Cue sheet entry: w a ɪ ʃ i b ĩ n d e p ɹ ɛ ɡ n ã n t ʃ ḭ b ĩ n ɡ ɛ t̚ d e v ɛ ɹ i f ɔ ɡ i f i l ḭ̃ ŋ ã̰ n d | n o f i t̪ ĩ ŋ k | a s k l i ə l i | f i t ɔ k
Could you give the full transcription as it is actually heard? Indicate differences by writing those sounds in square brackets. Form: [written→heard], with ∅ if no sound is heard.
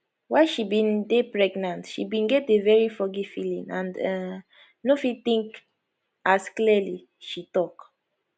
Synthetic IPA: w a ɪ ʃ i b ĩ n d e p ɹ ɛ ɡ n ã n t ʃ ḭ b ĩ n ɡ ɛ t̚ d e v ɛ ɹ i f ɔ ɡ i f i l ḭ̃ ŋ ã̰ n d | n o f i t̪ ĩ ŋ k | a s k l i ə l i | [f→ʃ] i t ɔ k